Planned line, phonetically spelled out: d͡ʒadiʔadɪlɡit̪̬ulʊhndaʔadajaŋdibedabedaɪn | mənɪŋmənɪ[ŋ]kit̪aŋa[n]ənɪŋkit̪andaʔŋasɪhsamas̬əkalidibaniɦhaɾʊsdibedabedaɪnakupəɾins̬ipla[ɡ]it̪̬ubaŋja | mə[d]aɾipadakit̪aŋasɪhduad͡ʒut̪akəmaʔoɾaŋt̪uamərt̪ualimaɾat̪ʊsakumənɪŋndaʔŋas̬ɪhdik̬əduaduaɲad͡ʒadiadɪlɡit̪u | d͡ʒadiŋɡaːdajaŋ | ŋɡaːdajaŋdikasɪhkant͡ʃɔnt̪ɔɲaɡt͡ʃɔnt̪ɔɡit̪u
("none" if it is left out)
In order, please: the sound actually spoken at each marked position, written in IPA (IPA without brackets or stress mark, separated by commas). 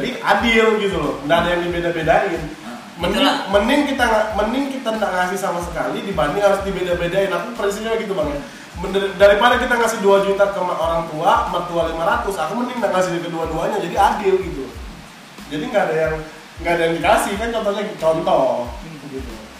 ŋ, m, ɡ, d